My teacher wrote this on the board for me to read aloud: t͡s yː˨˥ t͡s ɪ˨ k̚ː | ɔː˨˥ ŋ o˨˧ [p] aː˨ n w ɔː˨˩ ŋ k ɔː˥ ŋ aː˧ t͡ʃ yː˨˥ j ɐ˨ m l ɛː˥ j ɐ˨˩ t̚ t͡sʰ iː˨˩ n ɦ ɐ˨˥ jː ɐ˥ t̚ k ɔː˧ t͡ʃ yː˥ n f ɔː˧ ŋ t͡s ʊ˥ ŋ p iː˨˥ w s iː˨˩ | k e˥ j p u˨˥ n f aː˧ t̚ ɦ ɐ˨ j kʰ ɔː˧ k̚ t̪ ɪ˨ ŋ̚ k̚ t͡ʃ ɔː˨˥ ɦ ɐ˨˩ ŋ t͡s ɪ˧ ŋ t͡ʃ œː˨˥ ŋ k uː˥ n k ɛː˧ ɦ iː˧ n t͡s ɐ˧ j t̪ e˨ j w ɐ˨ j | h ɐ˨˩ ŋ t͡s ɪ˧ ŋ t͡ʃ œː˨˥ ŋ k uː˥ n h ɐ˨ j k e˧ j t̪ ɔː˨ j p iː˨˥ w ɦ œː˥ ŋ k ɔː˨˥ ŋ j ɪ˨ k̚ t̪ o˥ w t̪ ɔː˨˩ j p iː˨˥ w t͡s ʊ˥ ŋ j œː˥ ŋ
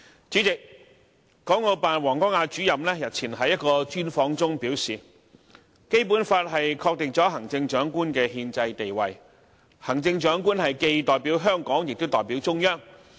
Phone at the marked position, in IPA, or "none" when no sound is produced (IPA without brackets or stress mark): p